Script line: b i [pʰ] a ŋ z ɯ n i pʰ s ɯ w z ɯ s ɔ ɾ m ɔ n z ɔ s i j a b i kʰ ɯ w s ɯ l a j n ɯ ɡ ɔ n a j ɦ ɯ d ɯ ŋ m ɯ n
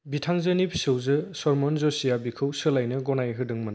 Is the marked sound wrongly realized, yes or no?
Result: yes